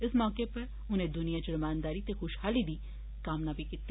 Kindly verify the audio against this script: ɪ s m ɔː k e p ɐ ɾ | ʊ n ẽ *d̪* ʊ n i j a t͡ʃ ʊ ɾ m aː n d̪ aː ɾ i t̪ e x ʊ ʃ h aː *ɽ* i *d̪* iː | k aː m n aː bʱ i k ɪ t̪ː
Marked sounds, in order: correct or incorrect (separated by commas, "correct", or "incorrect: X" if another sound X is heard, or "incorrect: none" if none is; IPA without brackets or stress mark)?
correct, incorrect: l, correct